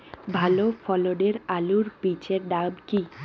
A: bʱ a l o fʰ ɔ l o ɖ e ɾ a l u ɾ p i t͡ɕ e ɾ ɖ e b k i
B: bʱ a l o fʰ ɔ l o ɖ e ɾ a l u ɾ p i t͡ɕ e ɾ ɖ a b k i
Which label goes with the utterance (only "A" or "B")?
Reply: B